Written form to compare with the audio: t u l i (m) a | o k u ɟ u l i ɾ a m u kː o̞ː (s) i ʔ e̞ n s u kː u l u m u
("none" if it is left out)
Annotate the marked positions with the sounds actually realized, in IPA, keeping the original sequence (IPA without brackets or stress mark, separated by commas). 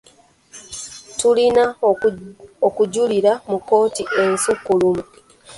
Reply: n, t